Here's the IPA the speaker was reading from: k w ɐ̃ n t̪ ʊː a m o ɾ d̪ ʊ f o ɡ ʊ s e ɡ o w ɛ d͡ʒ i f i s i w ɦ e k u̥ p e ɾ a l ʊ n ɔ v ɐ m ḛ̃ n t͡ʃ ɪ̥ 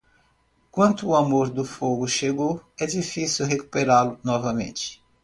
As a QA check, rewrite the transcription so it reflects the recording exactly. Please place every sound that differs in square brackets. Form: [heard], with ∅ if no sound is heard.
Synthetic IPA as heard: k w ɐ̃ n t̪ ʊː a m o ɾ d̪ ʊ f o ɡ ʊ [ʃ] e ɡ o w ɛ d͡ʒ i f i s i w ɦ e k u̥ p e ɾ a l ʊ n ɔ v ɐ m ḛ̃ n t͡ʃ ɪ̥